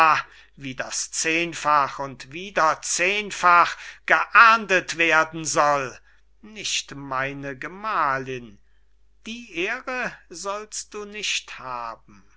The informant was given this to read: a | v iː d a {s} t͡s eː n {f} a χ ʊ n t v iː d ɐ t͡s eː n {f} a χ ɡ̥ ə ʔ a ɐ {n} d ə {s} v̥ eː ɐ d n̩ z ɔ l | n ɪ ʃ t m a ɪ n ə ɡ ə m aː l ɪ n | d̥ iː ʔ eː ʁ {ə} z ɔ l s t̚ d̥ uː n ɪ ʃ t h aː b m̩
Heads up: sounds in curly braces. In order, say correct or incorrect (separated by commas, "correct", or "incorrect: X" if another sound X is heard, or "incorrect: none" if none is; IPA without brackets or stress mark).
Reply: correct, correct, correct, correct, incorrect: t, correct